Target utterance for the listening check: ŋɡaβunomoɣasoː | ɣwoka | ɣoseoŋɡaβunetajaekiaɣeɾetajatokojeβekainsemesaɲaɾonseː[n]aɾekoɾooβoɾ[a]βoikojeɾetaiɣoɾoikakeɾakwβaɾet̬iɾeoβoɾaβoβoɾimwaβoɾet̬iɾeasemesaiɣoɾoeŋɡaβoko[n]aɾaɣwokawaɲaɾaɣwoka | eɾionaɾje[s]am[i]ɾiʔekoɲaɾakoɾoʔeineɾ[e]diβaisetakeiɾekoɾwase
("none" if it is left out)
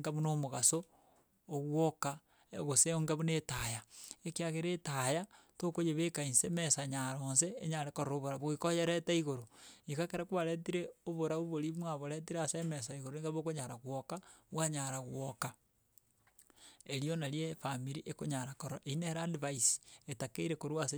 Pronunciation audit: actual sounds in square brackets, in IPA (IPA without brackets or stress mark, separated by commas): ɲ, a, ɲ, f, i, a